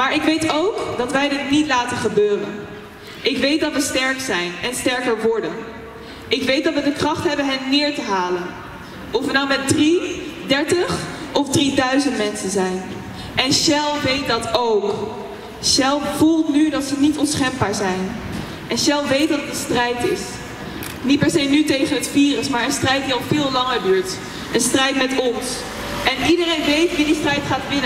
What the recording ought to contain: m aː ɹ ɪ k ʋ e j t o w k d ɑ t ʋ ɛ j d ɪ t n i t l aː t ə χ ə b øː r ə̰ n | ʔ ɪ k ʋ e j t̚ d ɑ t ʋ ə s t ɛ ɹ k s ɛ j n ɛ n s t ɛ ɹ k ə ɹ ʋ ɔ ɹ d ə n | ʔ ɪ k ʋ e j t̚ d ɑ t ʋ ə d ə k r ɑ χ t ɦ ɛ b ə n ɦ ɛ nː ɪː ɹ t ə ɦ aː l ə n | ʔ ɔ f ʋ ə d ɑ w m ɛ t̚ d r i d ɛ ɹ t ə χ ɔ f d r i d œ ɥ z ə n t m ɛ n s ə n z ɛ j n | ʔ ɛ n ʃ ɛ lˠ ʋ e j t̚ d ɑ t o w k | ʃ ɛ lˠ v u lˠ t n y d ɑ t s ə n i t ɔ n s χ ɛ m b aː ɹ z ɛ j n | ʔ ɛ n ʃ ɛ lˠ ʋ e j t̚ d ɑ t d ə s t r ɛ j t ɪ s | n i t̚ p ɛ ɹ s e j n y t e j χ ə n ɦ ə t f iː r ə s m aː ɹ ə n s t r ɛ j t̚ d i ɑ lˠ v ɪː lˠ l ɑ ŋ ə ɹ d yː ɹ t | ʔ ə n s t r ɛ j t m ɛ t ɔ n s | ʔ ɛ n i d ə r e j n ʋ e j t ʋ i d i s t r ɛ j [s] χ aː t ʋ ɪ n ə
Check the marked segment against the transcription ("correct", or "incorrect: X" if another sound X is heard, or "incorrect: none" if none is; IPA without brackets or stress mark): incorrect: t